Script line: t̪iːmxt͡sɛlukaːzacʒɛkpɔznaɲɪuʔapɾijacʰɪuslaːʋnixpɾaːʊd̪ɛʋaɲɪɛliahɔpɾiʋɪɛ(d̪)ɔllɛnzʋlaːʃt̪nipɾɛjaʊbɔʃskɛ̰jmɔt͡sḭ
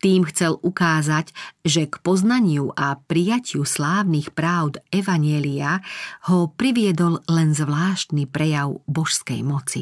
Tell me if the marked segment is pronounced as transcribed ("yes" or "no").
yes